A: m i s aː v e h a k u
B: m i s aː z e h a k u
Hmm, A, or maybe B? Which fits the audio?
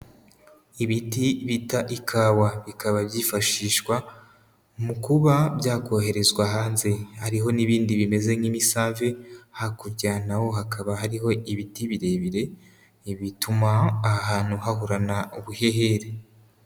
A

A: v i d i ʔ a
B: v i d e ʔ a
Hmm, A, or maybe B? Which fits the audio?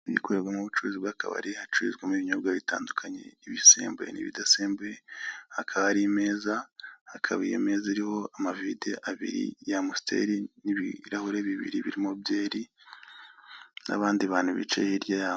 B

